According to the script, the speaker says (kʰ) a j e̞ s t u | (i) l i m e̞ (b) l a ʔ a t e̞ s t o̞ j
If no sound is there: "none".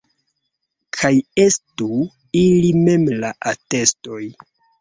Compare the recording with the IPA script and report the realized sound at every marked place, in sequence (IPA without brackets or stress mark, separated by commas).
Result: kʰ, i, m